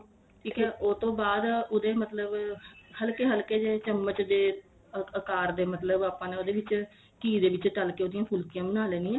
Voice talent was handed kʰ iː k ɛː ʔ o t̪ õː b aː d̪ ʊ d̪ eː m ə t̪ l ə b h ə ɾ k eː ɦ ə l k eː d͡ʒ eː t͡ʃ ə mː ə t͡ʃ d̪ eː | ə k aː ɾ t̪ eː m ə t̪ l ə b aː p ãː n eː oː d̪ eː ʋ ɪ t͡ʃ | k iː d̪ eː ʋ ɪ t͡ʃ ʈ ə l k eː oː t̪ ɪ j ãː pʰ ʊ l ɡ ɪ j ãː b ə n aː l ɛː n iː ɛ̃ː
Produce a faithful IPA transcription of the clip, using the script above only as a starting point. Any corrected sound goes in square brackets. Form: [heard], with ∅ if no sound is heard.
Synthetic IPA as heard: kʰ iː k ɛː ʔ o t̪ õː b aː d̪ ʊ d̪ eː m ə t̪ l ə b h ə [l] k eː ɦ ə l k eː d͡ʒ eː t͡ʃ ə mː ə t͡ʃ d̪ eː | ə k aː ɾ [d̪] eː m ə t̪ l ə b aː p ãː n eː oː d̪ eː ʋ ɪ t͡ʃ | k iː d̪ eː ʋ ɪ t͡ʃ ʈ ə l k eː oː [d̪] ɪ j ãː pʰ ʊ l [k] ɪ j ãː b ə n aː l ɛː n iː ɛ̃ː